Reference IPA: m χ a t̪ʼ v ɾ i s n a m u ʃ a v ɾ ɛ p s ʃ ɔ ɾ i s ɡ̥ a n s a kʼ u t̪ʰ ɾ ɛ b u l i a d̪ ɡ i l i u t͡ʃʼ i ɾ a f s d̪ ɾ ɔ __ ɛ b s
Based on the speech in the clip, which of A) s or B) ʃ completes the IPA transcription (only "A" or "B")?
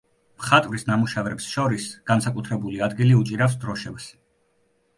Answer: B